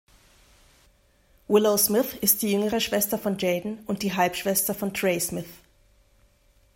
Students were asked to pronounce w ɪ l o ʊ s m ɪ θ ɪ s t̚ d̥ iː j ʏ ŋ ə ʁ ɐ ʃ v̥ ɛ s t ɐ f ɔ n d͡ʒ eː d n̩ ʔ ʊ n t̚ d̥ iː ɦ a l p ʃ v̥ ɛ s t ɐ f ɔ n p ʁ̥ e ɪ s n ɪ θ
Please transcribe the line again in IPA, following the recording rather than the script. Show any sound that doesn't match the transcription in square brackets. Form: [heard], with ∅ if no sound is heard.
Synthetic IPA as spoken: w ɪ l o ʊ s m ɪ θ ɪ s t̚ d̥ iː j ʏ ŋ ə ʁ [ə] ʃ v̥ ɛ s t ɐ f ɔ n d͡ʒ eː d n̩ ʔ ʊ n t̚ d̥ iː ɦ a l p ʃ v̥ ɛ s t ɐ f ɔ n [t] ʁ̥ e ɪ s [m] ɪ θ